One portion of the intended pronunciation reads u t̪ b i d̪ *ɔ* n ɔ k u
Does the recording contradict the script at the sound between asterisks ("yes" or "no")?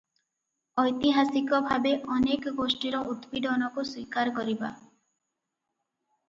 no